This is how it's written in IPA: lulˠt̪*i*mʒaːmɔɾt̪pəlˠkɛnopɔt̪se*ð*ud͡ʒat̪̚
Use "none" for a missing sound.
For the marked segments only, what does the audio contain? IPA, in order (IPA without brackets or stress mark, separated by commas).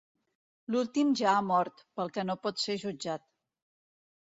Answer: i, ʒ